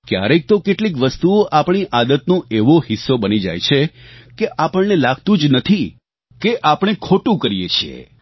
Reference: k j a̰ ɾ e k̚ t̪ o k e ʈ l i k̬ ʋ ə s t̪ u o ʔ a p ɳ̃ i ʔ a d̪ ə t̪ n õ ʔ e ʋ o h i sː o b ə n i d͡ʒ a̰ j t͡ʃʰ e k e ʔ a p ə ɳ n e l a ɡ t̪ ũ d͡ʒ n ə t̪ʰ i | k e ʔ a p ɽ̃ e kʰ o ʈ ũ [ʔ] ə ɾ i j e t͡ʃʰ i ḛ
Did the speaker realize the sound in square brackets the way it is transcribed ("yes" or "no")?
no